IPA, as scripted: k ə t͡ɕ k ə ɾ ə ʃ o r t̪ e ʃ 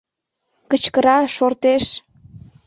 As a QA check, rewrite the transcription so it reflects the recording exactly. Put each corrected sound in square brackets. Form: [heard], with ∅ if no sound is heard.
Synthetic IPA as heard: k ə t͡ɕ k ə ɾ [ɑ] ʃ o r t̪ e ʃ